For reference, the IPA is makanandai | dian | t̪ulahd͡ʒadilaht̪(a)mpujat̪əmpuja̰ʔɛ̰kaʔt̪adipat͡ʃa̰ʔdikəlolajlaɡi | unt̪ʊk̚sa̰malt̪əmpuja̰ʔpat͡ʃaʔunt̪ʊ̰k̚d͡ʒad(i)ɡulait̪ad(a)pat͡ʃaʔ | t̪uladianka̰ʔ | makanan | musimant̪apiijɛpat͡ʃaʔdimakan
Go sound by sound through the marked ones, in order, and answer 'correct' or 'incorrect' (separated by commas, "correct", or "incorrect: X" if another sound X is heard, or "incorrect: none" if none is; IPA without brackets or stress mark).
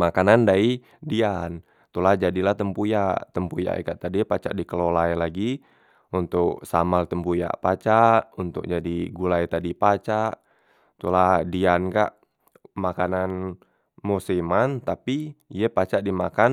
incorrect: ə, correct, incorrect: i